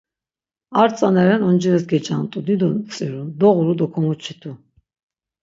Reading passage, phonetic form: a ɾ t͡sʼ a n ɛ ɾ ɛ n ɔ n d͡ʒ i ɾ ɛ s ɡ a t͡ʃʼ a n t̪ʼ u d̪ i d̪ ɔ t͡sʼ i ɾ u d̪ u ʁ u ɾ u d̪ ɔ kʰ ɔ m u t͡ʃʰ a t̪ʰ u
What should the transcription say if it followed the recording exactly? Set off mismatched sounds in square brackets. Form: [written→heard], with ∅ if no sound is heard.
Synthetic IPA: a ɾ t͡sʼ a n ɛ ɾ ɛ n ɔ n d͡ʒ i ɾ ɛ s ɡ [a→ɛ] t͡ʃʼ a n t̪ʼ u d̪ i d̪ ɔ t͡sʼ i ɾ u d̪ [u→ɔ] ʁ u ɾ u d̪ ɔ kʰ ɔ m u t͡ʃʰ [a→i] t̪ʰ u